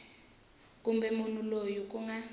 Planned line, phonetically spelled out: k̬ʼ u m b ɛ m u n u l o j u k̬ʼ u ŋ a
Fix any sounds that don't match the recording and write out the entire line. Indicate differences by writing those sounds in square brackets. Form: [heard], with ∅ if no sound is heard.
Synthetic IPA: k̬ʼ u m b ɛ m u n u l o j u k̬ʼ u ŋ a